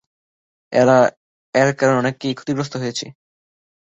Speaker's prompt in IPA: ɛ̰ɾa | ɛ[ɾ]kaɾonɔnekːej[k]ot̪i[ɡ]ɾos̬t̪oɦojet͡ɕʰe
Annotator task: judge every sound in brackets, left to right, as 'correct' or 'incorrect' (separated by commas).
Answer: correct, incorrect, correct